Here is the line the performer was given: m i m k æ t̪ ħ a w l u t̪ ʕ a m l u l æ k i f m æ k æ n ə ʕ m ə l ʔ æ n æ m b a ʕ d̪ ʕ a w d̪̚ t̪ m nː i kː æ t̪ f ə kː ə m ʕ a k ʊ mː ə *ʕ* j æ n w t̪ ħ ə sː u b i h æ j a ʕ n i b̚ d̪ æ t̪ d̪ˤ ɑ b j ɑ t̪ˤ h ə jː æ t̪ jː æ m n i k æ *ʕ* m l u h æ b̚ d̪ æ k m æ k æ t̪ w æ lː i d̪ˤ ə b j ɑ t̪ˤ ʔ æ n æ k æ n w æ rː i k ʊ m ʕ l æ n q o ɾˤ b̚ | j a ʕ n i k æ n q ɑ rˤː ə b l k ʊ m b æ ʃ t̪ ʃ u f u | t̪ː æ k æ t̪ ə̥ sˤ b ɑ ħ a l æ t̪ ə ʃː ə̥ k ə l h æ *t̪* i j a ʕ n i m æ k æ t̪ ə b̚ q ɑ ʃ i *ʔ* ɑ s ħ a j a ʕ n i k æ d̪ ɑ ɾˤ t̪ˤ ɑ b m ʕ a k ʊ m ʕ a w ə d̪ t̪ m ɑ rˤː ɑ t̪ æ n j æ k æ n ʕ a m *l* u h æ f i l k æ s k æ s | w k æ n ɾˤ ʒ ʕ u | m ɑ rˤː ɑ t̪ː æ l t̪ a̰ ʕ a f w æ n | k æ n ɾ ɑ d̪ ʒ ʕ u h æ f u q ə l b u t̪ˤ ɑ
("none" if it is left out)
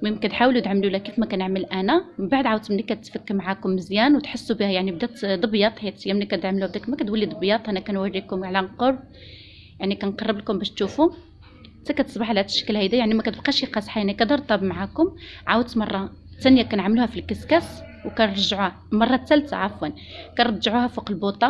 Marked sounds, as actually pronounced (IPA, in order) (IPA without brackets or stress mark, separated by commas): z, ʕ, d̪, q, l